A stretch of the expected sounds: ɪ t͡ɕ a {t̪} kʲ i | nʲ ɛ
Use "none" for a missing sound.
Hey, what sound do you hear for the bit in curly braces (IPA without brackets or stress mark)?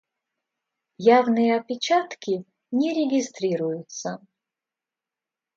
t̪